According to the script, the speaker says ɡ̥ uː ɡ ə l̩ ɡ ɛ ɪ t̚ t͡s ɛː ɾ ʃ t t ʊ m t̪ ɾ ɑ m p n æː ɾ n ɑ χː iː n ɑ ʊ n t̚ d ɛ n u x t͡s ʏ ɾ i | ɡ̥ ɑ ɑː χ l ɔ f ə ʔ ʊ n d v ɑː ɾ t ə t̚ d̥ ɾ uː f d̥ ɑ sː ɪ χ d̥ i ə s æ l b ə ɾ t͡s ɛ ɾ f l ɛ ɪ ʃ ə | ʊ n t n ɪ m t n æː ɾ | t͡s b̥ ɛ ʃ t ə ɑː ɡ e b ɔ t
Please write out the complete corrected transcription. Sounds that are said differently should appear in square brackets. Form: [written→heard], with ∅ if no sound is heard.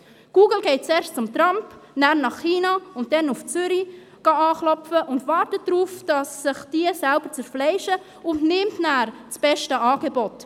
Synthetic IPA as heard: ɡ̥ uː ɡ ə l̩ ɡ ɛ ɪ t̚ t͡s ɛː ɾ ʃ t [t→t͡s] ʊ m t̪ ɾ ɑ m p n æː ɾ n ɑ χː iː n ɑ ʊ n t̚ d ɛ n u [x→f] t͡s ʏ ɾ i | ɡ̥ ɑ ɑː χ l ɔ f ə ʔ ʊ n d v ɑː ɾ t ə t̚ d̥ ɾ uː f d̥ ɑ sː ɪ χ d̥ i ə s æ l b ə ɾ t͡s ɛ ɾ f l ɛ ɪ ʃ ə | ʊ n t n ɪ m t n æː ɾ | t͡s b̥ ɛ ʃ t ə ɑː ɡ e b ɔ t